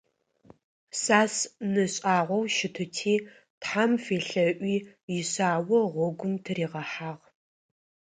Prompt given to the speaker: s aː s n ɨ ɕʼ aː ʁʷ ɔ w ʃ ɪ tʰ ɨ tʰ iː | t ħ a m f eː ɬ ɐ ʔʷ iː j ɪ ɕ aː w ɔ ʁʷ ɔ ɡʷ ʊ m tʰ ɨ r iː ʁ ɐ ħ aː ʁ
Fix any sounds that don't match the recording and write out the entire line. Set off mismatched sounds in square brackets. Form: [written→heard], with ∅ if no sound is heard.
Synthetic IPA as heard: s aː s n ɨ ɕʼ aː ʁʷ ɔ w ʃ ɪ tʰ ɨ tʰ iː | t ħ a m f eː ɬ ɐ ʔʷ iː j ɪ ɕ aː w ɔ ʁʷ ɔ ɡʷ ʊ m tʰ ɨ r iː ʁ ɐ ħ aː ʁ